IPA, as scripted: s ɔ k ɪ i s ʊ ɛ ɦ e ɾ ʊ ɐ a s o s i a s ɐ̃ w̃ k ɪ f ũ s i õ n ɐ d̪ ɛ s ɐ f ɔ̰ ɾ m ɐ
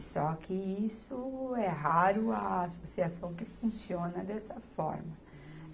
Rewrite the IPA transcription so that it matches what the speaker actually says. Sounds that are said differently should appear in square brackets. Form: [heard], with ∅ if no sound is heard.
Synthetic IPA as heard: s ɔ k ɪ i s ʊ ɛ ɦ [a] ɾ ʊ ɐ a s o s i a s ɐ̃ w̃ k ɪ f ũ s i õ n ɐ d̪ ɛ s ɐ f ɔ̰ ɾ m ɐ